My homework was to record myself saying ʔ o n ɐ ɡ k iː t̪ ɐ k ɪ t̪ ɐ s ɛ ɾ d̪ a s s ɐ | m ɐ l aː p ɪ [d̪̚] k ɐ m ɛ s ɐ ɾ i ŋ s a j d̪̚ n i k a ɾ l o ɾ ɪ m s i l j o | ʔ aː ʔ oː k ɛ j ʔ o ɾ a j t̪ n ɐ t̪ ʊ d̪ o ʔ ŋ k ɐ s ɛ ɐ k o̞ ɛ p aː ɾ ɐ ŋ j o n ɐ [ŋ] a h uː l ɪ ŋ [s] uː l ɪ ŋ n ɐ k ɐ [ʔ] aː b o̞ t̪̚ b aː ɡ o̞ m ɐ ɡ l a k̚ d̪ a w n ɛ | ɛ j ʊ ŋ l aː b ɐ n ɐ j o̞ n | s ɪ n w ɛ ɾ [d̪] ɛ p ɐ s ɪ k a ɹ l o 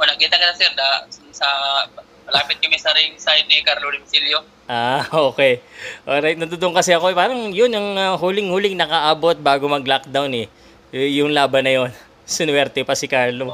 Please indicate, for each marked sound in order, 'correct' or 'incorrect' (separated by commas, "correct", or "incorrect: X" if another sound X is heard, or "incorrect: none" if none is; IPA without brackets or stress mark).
incorrect: t̪̚, correct, incorrect: h, correct, incorrect: t̪